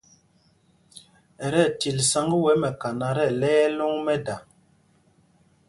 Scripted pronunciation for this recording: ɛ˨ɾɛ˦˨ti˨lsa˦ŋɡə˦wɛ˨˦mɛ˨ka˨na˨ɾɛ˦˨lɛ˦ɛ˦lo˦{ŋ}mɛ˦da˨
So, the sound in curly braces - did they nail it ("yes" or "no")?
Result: yes